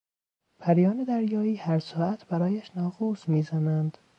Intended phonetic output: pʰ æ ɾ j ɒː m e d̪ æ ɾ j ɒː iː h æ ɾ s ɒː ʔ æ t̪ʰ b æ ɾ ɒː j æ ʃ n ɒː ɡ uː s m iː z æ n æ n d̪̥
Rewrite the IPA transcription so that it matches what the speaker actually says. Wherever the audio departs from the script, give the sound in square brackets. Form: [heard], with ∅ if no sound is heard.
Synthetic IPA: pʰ æ ɾ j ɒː [n] e d̪ æ ɾ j ɒː iː h æ ɾ s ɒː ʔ æ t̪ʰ b æ ɾ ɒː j æ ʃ n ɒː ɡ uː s m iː z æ n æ n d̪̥